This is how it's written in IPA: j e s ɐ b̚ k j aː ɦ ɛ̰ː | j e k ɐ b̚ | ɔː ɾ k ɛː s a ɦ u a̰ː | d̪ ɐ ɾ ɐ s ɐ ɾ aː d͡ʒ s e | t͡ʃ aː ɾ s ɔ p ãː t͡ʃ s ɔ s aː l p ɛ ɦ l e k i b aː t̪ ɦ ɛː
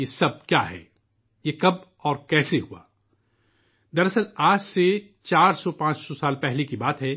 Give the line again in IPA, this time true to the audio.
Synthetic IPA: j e s ɐ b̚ k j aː ɦ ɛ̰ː | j e k ɐ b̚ | ɔː ɾ k ɛː s e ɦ u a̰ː | d̪ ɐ ɾ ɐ s ə ɾ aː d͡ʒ s e | t͡ʃ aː ɾ s ɔ p ãː t͡ʃ s ɔ s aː l p ɛ ɦ l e k i b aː t̪ ɦ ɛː